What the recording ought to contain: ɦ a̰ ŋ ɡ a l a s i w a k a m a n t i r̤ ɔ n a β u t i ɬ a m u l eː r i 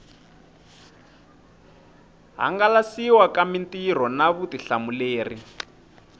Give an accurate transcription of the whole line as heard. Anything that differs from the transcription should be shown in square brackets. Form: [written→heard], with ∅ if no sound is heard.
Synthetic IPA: ɦ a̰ ŋ ɡ a l a s i w a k a m [a→i] n t i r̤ ɔ n a β u t i ɬ a m u l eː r i